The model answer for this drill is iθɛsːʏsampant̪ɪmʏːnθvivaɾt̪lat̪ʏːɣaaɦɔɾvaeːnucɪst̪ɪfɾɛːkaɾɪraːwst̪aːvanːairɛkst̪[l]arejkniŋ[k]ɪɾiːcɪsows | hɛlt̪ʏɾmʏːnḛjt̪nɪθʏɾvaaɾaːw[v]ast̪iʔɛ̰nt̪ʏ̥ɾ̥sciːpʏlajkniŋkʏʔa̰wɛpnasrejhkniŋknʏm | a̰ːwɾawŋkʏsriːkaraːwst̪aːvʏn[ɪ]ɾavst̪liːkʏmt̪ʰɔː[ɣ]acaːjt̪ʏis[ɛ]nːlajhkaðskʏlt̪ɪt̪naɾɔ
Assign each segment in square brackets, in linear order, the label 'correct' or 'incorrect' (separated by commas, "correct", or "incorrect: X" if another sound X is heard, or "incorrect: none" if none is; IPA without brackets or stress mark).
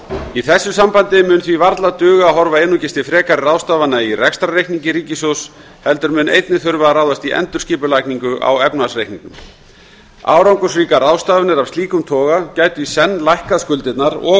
incorrect: ɾ, incorrect: c, incorrect: ð, correct, correct, correct